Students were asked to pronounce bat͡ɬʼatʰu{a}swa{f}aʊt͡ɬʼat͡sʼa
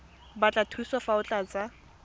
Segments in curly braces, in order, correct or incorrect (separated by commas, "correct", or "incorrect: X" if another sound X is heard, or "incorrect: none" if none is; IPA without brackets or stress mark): incorrect: i, correct